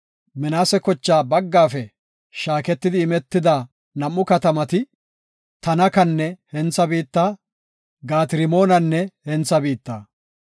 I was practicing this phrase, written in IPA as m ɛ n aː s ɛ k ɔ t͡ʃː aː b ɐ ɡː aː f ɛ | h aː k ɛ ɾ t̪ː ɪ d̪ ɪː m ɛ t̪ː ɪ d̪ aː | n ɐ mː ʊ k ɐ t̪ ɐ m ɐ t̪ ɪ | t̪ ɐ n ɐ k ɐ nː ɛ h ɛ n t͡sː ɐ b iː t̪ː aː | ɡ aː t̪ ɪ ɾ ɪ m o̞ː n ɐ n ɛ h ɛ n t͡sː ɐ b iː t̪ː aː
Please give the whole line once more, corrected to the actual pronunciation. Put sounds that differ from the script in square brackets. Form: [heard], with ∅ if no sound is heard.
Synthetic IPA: m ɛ n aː s ɛ k ɔ t͡ʃː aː b ɐ ɡː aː f ɛ | [ʃ] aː k ɛ [∅] t̪ː ɪ d̪ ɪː m ɛ t̪ː ɪ d̪ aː | n ɐ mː ʊ k ɐ t̪ ɐ m ɐ t̪ ɪ | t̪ ɐ n ɐ k ɐ nː ɛ h ɛ n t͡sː ɐ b iː t̪ː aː | ɡ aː t̪ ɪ ɾ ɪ m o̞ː n ɐ [nː] ɛ h ɛ n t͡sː ɐ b iː t̪ː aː